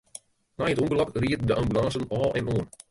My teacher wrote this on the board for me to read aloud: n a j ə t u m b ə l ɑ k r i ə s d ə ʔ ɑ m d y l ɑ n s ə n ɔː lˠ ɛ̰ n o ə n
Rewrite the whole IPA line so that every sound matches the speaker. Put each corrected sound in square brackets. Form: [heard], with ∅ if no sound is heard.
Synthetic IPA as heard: n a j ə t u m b ə l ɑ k r i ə [t] d ə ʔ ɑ m [b] y l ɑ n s ə n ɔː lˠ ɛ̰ n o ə n